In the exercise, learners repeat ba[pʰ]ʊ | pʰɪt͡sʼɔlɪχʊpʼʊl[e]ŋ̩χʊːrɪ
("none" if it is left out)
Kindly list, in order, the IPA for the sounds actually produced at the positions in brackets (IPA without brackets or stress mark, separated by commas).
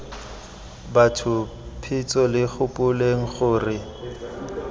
tʰ, e